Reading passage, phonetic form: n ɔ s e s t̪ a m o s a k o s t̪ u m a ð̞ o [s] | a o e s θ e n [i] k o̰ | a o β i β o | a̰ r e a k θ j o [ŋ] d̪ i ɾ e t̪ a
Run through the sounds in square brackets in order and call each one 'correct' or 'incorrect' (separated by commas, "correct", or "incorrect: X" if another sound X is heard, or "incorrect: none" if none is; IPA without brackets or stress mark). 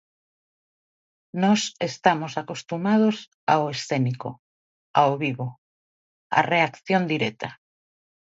correct, correct, incorrect: n